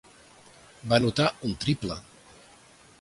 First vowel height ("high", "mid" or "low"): low